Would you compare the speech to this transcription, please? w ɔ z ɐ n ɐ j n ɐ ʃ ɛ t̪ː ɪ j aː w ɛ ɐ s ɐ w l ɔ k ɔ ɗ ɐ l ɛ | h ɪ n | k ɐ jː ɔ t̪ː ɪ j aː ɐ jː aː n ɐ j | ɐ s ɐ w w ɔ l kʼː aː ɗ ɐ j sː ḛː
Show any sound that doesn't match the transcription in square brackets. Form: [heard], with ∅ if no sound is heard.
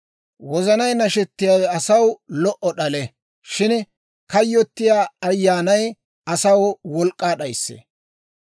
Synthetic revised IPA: w ɔ z ɐ n ɐ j n ɐ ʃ ɛ t̪ː ɪ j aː w ɛ ɐ s ɐ w l ɔ [ʔ] ɔ ɗ ɐ l ɛ | [ʃ] ɪ n | k ɐ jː ɔ t̪ː ɪ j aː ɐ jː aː n ɐ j | ɐ s ɐ w w ɔ l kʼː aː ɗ ɐ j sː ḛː